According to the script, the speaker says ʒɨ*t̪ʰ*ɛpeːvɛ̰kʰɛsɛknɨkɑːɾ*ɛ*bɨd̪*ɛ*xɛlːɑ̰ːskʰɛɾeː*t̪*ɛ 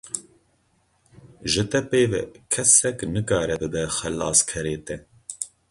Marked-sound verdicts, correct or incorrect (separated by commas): incorrect, correct, correct, correct